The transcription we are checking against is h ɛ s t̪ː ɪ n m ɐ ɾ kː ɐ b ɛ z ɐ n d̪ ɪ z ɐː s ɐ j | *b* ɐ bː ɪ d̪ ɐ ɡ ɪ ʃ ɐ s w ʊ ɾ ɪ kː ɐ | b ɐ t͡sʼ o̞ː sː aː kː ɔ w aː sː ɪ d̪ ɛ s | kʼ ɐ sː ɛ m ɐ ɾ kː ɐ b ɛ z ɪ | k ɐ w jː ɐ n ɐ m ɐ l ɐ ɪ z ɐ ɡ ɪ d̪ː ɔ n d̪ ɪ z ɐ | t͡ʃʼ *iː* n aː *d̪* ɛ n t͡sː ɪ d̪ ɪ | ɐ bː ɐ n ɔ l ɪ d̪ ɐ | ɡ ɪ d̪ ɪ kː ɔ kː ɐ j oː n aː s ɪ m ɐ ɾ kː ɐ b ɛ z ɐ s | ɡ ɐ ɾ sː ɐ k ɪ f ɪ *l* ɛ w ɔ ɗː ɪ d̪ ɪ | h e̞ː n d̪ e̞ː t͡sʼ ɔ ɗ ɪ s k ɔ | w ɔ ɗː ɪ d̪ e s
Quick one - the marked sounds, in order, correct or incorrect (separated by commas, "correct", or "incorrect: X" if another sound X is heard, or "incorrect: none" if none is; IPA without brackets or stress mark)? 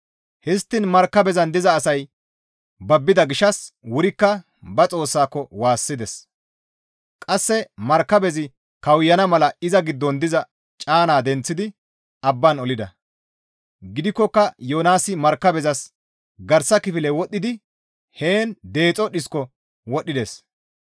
correct, incorrect: aː, correct, correct